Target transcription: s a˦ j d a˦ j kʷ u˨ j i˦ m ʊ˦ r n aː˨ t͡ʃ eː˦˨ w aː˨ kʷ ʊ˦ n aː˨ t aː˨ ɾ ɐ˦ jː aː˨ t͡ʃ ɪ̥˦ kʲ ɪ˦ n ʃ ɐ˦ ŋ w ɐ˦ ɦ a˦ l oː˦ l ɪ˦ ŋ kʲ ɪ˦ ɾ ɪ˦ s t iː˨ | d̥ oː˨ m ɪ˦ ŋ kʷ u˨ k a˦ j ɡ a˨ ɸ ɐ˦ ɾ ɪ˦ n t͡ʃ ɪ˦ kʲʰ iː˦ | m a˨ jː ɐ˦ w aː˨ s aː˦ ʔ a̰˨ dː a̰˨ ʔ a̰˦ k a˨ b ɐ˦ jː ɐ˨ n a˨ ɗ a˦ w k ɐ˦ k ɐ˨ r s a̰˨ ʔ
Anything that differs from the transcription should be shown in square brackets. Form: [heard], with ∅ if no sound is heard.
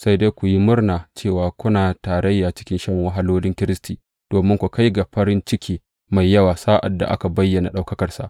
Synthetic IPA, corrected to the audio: s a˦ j d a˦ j kʷ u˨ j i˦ m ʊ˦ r n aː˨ t͡ʃ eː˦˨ w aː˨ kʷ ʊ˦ n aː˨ t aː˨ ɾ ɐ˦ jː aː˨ t͡ʃ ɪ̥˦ kʲ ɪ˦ n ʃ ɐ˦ ŋ w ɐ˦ ɦ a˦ l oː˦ l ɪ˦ ŋ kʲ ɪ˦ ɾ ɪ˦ s t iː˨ | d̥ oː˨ m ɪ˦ ŋ kʷ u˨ k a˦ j ɡ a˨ ɸ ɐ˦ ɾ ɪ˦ n t͡ʃ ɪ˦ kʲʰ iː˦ | m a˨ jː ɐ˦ w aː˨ s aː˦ ʔ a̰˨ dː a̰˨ ʔ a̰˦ k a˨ b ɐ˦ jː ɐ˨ n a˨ ɗ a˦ w k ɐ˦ k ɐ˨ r s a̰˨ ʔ

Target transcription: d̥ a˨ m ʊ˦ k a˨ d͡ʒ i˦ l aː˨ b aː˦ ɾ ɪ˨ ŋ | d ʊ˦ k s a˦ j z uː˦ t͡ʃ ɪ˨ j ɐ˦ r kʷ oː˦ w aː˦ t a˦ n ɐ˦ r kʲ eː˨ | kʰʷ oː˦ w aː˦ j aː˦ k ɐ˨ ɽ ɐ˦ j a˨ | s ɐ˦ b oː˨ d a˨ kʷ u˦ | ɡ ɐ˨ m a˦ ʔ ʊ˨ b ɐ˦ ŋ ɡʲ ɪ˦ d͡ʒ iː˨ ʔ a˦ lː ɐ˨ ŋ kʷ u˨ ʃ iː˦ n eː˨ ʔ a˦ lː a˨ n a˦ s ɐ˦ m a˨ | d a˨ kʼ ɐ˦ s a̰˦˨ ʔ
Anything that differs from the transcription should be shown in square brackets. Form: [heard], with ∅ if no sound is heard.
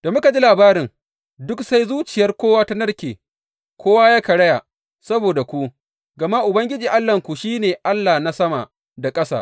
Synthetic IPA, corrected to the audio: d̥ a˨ m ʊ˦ k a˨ d͡ʒ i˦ l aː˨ b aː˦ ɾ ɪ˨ ŋ | d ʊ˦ k s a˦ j z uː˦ t͡ʃ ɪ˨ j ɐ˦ r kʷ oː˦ w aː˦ t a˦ n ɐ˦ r kʲ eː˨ | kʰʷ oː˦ w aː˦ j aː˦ k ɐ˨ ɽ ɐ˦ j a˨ | s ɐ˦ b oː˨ d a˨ kʷ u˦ | ɡ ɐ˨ m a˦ ʔ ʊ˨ b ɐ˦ ŋ ɡʲ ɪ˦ d͡ʒ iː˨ ʔ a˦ lː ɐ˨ ŋ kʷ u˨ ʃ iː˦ n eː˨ ʔ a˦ lː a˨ n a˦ s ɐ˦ m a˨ | d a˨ kʼ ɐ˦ s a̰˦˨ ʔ

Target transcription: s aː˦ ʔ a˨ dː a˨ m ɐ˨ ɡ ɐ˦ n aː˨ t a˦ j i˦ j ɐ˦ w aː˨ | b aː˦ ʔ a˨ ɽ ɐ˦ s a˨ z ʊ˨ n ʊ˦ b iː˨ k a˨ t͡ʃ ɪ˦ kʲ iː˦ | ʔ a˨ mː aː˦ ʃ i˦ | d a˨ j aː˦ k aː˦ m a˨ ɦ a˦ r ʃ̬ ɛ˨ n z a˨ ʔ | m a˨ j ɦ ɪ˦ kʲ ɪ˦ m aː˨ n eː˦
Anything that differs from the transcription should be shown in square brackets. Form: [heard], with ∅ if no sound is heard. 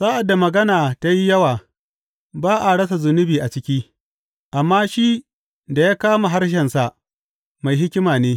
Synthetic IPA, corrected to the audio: s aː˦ ʔ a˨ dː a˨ m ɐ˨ ɡ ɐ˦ n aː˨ t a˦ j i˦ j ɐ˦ w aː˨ | b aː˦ ʔ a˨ ɽ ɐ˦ s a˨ z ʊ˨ n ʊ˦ b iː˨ [ʔ] a˨ t͡ʃ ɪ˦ kʲ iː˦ | ʔ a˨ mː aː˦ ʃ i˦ | d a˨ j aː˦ k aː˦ m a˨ ɦ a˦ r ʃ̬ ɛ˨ n [s] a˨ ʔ | m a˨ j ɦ ɪ˦ kʲ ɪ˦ m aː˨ n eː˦

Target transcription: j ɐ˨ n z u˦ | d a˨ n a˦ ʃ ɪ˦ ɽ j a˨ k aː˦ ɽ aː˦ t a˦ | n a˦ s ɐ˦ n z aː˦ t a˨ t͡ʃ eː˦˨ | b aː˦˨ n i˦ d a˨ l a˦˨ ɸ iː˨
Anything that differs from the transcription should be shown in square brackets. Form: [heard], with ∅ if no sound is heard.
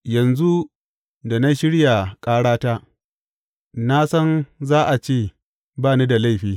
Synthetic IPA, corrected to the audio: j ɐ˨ n z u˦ | d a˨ n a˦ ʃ ɪ˦ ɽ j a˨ [kʼ] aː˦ ɽ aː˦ t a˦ | n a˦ s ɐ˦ n z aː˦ [ʔ] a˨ t͡ʃ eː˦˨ | b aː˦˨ n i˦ d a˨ l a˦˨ ɸ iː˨

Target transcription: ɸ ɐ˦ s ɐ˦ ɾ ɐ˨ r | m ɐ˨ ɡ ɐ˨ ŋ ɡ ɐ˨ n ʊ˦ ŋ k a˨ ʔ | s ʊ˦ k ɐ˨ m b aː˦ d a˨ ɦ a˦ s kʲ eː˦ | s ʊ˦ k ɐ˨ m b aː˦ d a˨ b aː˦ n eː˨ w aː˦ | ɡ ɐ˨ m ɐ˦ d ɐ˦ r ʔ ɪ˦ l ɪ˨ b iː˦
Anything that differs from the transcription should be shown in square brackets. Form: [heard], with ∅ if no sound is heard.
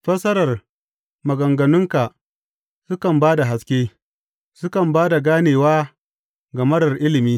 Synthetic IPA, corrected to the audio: ɸ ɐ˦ s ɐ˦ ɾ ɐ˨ r | m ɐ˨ ɡ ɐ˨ ŋ ɡ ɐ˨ n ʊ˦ ŋ k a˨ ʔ | s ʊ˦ k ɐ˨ m b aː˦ d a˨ ɦ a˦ s kʲ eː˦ | s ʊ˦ k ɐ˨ m b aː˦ d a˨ [ɡ] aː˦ n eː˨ w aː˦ | ɡ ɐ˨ m ɐ˦ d [ɐ˨] r ʔ ɪ˦ l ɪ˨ [m] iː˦

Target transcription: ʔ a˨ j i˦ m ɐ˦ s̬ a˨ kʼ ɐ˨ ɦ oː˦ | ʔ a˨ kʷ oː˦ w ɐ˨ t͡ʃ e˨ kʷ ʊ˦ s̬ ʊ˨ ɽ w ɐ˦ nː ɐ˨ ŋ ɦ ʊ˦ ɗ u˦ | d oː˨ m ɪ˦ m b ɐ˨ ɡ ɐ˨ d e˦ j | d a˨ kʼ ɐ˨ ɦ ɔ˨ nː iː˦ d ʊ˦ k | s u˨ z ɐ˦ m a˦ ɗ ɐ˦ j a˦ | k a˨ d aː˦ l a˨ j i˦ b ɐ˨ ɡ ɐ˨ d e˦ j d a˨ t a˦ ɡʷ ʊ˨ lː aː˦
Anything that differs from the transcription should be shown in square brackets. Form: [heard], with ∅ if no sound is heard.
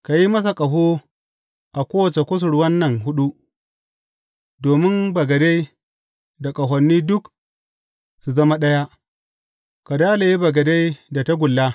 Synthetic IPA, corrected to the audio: [k] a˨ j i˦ m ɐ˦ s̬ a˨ kʼ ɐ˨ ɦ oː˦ | ʔ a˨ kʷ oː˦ w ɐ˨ t͡ʃ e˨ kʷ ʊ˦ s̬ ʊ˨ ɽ w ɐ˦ nː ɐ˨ ŋ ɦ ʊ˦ ɗ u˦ | d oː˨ m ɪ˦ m b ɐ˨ ɡ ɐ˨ d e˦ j | d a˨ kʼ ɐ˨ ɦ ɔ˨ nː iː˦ d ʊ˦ k | s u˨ z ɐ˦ m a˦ ɗ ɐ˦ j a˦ | k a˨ d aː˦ l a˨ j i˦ b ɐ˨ ɡ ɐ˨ d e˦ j d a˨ t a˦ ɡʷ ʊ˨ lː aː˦

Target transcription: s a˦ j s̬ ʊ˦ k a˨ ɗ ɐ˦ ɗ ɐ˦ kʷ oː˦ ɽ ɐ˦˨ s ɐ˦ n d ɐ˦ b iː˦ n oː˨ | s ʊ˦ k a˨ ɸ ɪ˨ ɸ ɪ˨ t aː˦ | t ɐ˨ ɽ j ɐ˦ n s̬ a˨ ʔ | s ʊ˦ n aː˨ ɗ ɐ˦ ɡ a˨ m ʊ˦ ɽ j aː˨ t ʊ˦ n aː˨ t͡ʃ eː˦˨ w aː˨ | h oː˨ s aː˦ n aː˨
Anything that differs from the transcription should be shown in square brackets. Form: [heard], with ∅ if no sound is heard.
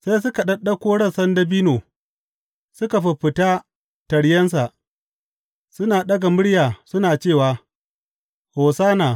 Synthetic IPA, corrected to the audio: s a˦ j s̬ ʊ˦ k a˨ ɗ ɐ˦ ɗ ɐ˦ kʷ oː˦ ɽ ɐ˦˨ s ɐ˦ n d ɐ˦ b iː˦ n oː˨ | s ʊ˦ k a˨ ɸ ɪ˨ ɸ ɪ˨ t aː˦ | t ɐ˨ ɽ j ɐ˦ n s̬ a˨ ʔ | s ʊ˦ n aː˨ ɗ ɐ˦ ɡ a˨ m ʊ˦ ɽ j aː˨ [s] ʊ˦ n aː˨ t͡ʃ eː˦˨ w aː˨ | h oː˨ s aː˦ n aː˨

